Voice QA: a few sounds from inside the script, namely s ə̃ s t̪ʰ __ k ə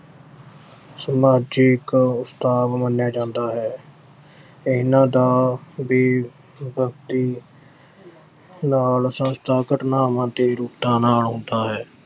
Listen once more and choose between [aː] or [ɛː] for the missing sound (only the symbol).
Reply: aː